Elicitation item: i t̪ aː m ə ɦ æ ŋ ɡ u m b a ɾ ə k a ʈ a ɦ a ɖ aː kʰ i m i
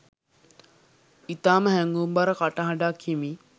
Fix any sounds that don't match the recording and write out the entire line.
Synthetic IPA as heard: i t̪ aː m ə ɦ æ ŋ ɡ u m b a ɾ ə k a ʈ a ɦ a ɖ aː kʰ i m i